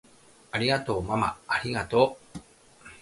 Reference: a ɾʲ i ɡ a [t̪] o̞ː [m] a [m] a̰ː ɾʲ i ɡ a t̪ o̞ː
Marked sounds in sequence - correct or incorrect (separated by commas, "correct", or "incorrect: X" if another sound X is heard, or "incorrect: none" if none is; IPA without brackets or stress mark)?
correct, correct, correct